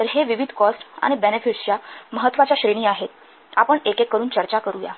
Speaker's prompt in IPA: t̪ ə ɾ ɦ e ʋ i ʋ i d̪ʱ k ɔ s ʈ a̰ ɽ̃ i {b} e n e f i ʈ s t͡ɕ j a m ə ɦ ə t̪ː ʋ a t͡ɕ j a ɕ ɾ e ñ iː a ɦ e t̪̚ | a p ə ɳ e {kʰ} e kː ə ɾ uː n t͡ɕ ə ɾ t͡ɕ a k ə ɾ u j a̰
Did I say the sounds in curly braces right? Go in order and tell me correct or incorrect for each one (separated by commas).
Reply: correct, incorrect